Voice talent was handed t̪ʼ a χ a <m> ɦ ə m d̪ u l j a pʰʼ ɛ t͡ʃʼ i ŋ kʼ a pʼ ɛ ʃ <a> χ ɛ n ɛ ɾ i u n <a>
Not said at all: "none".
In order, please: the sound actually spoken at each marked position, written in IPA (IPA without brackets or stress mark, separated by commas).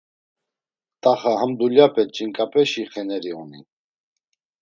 none, i, i